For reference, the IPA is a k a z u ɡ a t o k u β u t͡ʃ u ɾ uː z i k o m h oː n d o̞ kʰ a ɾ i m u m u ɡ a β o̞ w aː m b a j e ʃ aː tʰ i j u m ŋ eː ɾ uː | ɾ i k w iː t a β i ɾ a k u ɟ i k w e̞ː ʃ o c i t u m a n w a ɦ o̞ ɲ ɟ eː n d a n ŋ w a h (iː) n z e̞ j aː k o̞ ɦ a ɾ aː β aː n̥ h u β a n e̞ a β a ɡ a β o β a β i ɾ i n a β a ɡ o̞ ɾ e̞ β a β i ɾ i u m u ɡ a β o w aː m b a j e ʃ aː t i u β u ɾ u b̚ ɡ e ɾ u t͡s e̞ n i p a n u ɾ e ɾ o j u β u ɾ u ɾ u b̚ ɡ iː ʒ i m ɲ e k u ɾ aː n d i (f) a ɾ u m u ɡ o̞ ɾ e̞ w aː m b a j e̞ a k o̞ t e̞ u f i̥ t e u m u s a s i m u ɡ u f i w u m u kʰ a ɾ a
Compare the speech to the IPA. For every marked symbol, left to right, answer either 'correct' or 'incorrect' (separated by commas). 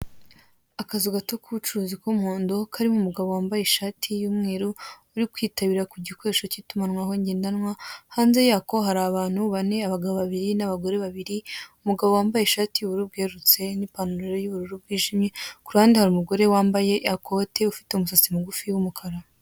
incorrect, incorrect